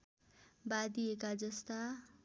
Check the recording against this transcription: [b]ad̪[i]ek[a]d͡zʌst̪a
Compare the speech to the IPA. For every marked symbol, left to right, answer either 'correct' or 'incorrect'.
correct, correct, correct

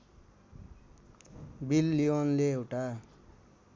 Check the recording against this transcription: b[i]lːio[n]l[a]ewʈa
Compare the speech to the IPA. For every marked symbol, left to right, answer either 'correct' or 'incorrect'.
correct, correct, incorrect: e

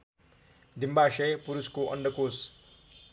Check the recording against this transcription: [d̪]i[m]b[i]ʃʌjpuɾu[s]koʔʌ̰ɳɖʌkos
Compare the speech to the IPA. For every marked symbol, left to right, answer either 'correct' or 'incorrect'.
correct, correct, incorrect: a, correct

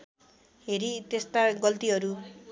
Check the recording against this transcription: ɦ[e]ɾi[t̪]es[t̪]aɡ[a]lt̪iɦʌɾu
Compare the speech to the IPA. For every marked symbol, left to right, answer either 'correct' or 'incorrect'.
correct, correct, correct, incorrect: ʌ

